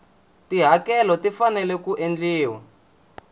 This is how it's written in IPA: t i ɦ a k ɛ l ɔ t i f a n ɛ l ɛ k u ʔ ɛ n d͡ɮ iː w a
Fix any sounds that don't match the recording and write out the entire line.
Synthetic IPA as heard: t i ɦ a k ɛ l ɔ t i f a n ɛ l ɛ k u ʔ e n d͡ɮ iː w a